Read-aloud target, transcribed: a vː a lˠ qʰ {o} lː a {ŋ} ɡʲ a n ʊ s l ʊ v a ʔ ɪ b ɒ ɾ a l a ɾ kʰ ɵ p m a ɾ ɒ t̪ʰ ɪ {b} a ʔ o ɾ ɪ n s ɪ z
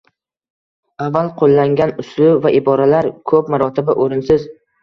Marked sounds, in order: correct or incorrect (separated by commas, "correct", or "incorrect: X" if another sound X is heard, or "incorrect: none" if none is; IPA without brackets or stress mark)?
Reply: correct, correct, correct